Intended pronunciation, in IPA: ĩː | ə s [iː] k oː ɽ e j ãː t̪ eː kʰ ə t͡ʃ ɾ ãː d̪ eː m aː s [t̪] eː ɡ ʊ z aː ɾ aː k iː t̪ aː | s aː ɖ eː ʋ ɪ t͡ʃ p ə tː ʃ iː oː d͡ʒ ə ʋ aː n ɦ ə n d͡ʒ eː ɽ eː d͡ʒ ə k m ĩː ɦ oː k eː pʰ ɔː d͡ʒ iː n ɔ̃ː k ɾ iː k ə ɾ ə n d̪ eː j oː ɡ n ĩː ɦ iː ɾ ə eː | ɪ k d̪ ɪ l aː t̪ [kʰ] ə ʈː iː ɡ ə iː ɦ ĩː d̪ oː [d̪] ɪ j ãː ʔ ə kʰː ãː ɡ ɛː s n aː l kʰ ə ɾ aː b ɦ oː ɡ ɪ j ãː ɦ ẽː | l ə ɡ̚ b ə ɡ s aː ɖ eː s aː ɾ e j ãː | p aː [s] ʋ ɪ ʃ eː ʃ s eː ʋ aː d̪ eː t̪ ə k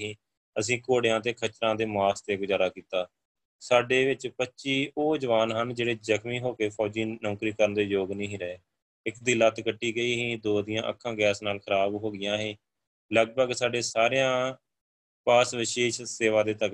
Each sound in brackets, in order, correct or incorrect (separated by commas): incorrect, correct, incorrect, correct, correct